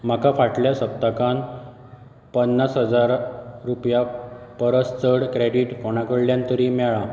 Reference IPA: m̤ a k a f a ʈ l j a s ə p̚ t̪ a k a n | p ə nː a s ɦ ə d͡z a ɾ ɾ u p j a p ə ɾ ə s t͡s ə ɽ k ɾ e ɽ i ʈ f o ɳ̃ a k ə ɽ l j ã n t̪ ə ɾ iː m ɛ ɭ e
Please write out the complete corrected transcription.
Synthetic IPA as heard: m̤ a k a f a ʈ l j a s ə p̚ t̪ a k a n | p ə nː a s ɦ ə d͡z a ɾ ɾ u p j a p ə ɾ ə s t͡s ə ɽ k ɾ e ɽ i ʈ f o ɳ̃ a k ə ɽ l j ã n t̪ ə ɾ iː m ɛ ɭ a

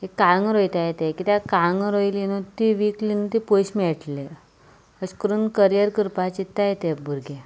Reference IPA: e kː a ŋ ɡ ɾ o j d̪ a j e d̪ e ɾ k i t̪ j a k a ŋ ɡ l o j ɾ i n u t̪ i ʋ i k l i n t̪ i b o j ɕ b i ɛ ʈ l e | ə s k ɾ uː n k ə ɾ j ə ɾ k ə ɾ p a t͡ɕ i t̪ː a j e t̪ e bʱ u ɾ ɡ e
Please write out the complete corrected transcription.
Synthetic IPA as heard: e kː a ŋ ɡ ɾ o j t̪ a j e t̪ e k i t̪ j a k a ŋ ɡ ɾ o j l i n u t̪ i ʋ i k l i n t̪ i p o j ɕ m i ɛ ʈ l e | ə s k ɾ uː n k ə ɾ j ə ɾ k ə ɾ p a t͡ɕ i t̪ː a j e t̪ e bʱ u ɾ ɡ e

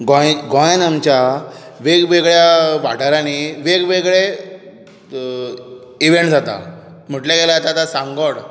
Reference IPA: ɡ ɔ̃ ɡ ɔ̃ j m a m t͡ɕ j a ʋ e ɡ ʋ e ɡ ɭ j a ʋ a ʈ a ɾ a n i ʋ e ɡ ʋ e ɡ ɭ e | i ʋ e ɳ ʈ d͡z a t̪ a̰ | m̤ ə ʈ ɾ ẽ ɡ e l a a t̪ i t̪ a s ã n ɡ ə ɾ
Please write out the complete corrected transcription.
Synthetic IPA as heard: ɡ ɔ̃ ɡ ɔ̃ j n a m t͡ɕ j a ʋ e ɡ ʋ e ɡ ɭ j a ʋ a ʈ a ɾ a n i ʋ e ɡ ʋ e ɡ ɭ e | i ʋ e ɳ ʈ d͡z a t̪ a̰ | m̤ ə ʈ l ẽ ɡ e l a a t̪ a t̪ a s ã ŋ ɡ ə ɽ

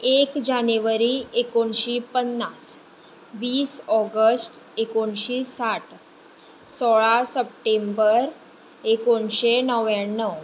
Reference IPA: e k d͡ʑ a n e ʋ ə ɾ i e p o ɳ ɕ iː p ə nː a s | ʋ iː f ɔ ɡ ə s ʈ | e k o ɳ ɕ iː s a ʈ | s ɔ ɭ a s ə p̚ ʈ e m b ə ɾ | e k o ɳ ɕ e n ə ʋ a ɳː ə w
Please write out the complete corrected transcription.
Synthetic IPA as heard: e k d͡ʑ a n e ʋ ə ɾ i e k o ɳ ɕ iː p ə nː a s | ʋ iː s ɔ ɡ ə s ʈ | e k o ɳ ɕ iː s a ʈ | s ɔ ɭ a s ə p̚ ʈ e m b ə ɾ | e k o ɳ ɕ e n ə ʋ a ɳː ə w

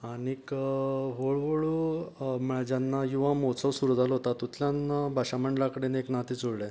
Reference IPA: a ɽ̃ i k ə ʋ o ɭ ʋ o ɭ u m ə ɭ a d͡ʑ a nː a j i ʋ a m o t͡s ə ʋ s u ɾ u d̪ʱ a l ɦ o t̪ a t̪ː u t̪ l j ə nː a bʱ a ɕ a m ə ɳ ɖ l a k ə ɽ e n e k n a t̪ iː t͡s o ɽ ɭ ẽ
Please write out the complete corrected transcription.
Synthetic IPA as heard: a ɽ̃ i k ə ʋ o ɭ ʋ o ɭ u m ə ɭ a d͡ʑ a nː a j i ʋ a m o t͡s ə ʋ s u ɾ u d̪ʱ a l ɦ o t̪ a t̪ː u t̪ l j a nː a bʱ a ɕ a m ə ɳ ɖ l a k ə ɽ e n e k n a t̪ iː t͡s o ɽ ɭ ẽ

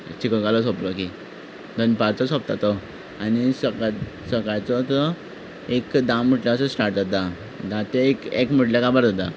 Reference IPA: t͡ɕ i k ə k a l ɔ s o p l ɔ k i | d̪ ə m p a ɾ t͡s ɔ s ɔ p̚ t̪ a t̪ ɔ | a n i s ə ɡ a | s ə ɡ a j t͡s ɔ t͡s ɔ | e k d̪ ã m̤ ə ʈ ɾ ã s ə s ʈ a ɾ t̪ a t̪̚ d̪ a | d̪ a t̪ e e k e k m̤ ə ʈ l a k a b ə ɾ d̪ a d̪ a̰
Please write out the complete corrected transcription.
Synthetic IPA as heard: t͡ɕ i k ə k a l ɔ s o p l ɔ k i | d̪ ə n p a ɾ t͡s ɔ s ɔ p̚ t̪ a t̪ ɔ | a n i s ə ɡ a | s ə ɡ a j t͡s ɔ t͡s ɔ | e k d̪ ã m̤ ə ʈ l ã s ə s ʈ a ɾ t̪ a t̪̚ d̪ a | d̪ a t̪ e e k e k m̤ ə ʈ l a k a b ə ɾ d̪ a d̪ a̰

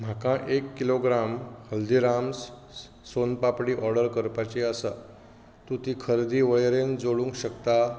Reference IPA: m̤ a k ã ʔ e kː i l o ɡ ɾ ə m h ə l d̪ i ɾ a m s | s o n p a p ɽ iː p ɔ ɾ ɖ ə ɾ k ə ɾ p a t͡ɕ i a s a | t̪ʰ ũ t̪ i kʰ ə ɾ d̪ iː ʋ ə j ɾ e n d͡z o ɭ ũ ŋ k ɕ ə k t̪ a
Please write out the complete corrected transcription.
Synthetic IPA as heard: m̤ a k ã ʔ e kː i l o ɡ ɾ a m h ə l d̪ i ɾ a m s | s o n p a p ɽ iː ʔ ɔ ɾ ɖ ə ɾ k ə ɾ p a t͡ɕ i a s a | t̪ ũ t̪ i kʰ ə ɾ d̪ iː ʋ ə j ɾ e n d͡z o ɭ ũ ŋ k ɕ ə k t̪ a

